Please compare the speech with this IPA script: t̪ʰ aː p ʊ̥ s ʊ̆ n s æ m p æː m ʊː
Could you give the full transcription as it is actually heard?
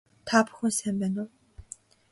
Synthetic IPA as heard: t̪ʰ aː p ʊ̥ x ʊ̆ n s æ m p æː n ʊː